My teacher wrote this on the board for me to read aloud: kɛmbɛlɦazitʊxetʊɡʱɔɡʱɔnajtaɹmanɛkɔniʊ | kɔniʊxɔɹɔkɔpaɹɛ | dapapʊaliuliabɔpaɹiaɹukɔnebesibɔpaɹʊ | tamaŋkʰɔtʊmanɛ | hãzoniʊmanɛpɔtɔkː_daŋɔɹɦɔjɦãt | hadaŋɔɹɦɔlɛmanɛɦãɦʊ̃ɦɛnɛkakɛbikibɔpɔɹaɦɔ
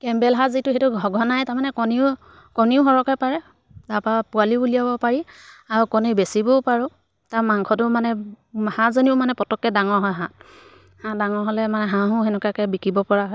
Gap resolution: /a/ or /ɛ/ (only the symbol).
ɛ